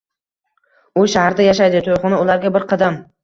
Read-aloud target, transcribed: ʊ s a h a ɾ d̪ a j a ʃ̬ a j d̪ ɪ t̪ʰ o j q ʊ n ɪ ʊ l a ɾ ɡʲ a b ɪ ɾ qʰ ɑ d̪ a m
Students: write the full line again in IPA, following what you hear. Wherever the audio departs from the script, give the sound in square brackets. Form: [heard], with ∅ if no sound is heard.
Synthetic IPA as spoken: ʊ [ʃ] a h a ɾ d̪ a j a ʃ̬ a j d̪ ɪ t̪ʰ o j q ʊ n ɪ ʊ l a ɾ ɡʲ a b ɪ ɾ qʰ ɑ d̪ a m